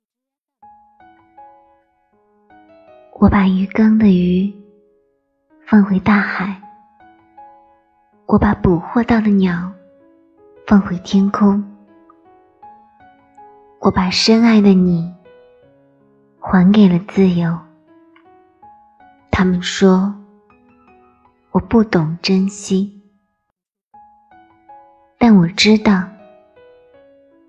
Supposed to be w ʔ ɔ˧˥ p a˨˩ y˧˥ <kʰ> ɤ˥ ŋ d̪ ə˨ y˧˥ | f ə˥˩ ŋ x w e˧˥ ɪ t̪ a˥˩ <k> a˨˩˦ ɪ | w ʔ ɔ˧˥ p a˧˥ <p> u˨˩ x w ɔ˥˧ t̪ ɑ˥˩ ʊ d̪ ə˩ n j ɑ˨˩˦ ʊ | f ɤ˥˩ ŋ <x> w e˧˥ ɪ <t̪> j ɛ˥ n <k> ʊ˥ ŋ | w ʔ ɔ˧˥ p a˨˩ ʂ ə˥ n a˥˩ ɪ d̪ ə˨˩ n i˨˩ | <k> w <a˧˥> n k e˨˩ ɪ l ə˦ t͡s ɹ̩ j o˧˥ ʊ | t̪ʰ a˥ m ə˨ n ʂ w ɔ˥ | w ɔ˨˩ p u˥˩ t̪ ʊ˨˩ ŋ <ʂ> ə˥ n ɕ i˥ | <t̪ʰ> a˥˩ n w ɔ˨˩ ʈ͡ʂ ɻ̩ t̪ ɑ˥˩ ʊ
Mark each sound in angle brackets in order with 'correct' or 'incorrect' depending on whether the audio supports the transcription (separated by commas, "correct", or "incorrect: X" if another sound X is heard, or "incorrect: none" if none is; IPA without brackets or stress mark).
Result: incorrect: k, incorrect: x, correct, correct, incorrect: t̪ʰ, incorrect: kʰ, incorrect: x, correct, incorrect: ʈ͡ʂ, incorrect: t̪